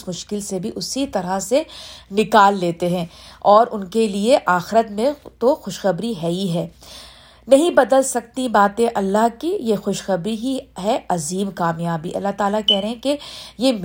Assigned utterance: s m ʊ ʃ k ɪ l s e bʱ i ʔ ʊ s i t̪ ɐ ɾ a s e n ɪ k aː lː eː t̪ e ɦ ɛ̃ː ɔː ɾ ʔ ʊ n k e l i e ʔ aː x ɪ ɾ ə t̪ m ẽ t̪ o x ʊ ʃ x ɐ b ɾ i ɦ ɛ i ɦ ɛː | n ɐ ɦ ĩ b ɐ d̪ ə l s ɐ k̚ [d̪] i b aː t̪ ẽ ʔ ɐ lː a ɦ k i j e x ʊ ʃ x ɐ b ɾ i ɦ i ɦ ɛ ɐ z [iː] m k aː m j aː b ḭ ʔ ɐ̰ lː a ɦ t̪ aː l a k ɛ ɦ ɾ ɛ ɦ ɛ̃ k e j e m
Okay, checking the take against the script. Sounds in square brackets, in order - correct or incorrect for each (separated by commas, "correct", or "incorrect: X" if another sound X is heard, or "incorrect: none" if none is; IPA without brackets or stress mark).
incorrect: t̪, correct